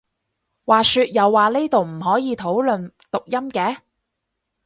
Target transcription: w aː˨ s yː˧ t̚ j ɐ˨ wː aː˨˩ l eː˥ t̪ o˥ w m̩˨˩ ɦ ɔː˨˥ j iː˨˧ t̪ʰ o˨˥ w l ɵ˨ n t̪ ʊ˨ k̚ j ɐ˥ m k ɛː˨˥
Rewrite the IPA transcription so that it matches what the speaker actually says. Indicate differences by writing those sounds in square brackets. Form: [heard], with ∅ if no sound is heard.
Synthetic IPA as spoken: w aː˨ s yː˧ t̚ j ɐ˨ wː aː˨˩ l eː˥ t̪ [o˨] w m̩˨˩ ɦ ɔː˨˥ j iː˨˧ t̪ʰ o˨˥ w l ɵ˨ n t̪ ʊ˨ k̚ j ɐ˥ m k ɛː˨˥

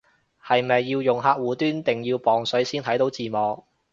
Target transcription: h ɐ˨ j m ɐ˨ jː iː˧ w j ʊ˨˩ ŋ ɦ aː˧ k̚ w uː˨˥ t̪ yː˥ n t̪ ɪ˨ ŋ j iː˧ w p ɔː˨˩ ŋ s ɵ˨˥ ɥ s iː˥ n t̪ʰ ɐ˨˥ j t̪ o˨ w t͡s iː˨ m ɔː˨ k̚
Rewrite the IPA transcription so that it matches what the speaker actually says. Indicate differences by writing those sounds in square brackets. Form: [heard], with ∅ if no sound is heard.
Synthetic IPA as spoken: h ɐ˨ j m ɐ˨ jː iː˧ w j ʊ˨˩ ŋ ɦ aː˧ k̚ w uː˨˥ t̪ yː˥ n t̪ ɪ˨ ŋ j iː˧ w p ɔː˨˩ ŋ s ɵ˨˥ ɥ s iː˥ n t̪ʰ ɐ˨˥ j t̪ [o˨˥] w t͡s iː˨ m ɔː˨ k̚

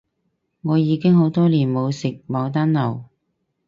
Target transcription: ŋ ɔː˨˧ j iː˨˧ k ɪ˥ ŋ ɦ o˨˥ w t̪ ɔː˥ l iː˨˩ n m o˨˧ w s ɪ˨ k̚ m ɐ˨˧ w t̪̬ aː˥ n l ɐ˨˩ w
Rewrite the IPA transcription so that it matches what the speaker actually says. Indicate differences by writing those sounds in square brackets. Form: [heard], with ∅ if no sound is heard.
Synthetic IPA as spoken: ŋ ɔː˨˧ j iː˨˧ k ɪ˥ ŋ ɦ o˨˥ w t̪ ɔː˥ l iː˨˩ n m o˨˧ w s ɪ˨ k̚ m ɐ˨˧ w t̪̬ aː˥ n l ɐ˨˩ w

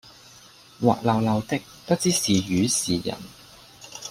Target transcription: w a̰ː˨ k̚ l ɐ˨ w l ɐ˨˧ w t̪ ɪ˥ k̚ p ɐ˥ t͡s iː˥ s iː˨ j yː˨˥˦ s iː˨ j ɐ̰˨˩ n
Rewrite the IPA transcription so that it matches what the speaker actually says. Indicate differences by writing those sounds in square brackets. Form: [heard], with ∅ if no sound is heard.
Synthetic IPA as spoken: w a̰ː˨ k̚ l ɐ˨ w l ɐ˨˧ w t̪ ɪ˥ k̚ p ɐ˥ t͡s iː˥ s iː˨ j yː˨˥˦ s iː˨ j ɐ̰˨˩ n

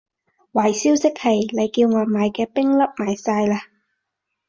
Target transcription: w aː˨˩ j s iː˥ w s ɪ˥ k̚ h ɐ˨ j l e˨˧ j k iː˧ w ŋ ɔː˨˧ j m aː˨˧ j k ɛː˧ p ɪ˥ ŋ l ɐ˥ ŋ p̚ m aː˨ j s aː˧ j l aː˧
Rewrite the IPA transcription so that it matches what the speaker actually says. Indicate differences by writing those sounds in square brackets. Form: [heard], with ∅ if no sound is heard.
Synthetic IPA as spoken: w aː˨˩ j s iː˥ w s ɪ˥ k̚ h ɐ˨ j l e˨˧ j k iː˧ w ŋ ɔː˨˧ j m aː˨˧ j k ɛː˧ p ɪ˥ ŋ l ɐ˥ [∅] p̚ m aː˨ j s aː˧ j l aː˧

